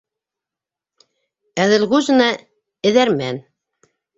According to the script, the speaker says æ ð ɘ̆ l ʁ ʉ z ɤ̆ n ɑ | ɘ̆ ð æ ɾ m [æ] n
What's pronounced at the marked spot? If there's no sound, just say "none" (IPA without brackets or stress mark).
æ